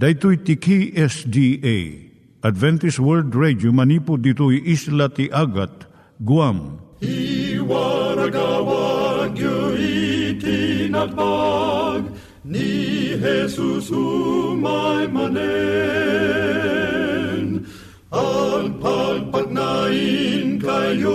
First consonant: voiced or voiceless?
voiced